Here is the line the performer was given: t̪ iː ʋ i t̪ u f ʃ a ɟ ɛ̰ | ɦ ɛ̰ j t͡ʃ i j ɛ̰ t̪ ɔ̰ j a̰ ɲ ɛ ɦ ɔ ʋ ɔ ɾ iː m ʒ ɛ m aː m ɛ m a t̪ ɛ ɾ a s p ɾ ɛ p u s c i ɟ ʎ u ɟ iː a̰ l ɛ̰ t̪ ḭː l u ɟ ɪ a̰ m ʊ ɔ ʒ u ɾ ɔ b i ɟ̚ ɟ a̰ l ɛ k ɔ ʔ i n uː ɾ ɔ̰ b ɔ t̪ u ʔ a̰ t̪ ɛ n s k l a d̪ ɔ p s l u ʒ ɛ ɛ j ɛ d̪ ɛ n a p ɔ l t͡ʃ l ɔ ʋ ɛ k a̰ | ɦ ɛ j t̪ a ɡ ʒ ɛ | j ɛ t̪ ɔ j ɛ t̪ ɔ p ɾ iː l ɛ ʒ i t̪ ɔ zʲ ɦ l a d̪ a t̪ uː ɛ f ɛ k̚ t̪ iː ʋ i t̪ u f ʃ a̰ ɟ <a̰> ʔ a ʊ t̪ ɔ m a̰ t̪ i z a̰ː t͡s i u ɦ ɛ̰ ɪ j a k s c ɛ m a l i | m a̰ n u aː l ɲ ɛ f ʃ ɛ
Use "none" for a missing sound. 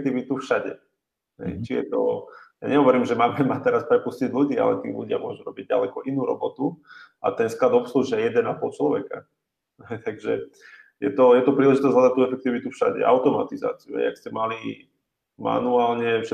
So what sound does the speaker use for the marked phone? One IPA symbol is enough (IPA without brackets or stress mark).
ɛ̰